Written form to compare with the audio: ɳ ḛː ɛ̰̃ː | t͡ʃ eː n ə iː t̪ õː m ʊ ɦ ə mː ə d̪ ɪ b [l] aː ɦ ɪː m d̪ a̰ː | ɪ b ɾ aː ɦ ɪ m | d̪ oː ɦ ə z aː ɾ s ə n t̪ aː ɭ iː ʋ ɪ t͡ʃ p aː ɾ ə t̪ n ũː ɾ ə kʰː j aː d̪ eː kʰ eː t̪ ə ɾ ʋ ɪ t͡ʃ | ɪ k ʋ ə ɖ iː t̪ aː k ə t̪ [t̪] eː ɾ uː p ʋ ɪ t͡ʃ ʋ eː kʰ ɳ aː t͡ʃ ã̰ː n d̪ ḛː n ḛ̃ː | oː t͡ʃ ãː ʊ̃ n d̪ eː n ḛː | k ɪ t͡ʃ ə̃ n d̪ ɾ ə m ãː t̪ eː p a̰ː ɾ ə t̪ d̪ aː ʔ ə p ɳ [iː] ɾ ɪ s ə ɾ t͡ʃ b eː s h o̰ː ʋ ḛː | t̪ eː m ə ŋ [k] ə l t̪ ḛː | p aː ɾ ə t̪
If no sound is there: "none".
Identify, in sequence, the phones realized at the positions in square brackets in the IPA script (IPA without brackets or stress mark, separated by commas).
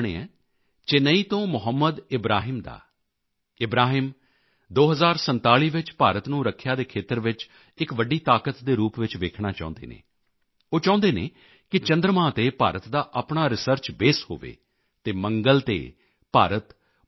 ɾ, d̪, aː, ɡ